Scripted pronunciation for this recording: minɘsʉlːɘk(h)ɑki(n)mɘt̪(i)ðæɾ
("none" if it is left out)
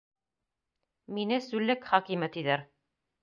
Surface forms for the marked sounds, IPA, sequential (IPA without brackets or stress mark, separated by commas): χ, none, i